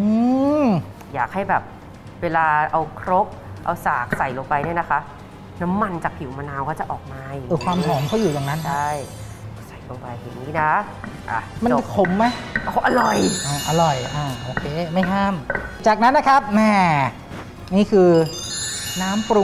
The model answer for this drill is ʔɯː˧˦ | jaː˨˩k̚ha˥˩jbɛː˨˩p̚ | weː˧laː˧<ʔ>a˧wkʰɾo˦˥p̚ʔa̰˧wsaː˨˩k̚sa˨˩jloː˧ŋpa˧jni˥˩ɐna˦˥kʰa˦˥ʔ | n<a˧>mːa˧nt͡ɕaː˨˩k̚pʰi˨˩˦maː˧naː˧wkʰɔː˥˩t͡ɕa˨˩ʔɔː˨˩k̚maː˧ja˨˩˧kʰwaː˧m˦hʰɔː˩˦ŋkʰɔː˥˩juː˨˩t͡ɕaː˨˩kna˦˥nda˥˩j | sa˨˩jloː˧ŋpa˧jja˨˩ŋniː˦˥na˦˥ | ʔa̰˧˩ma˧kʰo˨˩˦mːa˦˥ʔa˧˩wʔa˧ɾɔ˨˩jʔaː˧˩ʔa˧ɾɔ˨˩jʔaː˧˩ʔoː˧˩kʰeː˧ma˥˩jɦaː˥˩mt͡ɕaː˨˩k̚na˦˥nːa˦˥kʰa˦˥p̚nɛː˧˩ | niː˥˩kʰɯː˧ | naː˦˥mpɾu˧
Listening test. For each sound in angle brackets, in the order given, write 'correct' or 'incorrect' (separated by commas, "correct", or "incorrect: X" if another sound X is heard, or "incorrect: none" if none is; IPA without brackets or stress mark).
correct, incorrect: a˦˥